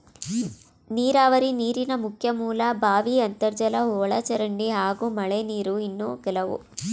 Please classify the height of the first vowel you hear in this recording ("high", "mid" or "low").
high